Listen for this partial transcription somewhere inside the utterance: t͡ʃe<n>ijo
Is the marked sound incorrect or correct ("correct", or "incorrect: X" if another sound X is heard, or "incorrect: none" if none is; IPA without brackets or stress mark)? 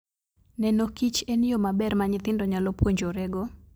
correct